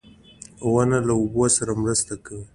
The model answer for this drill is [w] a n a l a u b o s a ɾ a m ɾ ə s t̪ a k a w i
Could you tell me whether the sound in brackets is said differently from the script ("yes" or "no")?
no